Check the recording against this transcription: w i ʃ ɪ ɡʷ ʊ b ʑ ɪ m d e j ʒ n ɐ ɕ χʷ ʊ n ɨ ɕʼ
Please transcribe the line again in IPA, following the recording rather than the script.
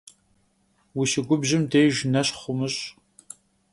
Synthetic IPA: w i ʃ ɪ ɡʷ ʊ b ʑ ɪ m d e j ʒ n ɐ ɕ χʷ ʊ m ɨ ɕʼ